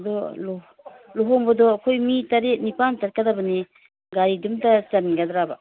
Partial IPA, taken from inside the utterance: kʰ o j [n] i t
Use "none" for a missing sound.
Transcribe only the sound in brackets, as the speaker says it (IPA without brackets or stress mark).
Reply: m